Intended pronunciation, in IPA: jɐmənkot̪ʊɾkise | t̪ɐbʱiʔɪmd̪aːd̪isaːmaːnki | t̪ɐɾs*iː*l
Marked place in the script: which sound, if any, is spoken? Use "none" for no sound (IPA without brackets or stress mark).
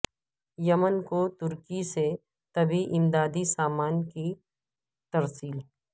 iː